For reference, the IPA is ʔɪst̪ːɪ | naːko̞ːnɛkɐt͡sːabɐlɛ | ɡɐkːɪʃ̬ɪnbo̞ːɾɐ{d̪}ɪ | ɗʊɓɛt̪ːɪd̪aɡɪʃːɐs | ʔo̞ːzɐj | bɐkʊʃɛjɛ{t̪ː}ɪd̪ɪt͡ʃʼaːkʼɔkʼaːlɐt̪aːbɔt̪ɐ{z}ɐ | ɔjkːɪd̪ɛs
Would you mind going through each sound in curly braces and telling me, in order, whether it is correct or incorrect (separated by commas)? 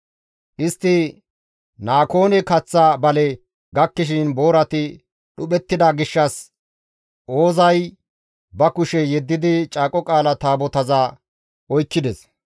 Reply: incorrect, incorrect, correct